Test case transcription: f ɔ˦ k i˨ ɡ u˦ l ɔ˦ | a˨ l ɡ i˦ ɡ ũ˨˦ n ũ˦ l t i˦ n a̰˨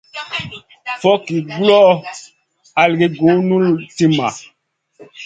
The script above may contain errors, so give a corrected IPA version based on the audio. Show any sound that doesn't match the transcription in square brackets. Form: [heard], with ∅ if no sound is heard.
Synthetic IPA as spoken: f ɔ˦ k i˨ ɡ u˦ l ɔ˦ | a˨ l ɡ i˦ ɡ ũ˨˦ n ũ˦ l t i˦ [m] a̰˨